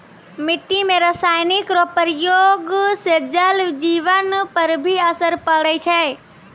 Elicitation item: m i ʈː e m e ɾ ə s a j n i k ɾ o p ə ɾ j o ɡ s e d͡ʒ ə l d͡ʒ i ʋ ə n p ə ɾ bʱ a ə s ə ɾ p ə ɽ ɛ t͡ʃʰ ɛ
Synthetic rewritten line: m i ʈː i m e ɾ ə s a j n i k ɾ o p ə ɾ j o ɡ s e d͡ʒ ə l d͡ʒ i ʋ ə n p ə ɾ bʱ i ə s ə ɾ p ə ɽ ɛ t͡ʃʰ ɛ